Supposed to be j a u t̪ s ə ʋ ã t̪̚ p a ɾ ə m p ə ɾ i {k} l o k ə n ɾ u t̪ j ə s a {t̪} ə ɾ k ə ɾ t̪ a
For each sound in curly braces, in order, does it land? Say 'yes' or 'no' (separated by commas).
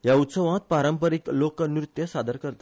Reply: yes, no